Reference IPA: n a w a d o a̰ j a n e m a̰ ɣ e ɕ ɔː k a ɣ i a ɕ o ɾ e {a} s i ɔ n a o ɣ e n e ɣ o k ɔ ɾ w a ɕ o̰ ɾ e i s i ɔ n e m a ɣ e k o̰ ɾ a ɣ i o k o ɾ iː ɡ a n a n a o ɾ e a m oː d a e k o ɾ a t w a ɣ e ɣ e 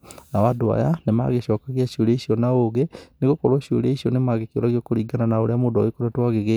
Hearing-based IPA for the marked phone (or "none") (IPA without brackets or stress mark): i